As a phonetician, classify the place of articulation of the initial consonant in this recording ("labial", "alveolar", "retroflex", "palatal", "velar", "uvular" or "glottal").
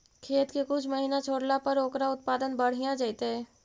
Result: velar